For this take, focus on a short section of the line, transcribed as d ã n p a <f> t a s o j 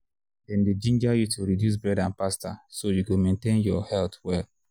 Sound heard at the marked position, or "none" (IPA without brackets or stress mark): s